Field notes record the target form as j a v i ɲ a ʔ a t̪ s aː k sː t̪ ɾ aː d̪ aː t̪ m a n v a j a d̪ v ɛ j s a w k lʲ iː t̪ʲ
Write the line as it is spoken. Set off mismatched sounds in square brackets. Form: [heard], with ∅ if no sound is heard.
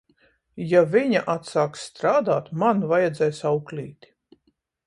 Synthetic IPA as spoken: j a v i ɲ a ʔ a t̪ s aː k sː t̪ ɾ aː d̪ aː t̪ m a n v a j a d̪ [z] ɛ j s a w k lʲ iː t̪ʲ